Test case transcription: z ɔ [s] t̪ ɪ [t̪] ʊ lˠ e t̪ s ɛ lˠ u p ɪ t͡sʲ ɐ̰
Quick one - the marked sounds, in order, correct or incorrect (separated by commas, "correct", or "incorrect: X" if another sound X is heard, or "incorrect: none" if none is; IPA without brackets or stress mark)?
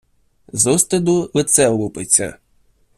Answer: correct, incorrect: d̪